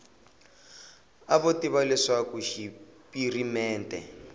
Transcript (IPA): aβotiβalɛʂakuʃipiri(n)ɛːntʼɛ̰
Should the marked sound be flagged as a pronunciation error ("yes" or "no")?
yes